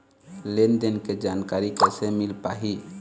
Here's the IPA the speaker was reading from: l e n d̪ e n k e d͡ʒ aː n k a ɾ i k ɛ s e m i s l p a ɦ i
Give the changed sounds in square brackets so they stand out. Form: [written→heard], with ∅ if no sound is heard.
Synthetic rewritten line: l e n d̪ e n k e d͡ʒ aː n k a ɾ i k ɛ s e m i [s→∅] l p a ɦ i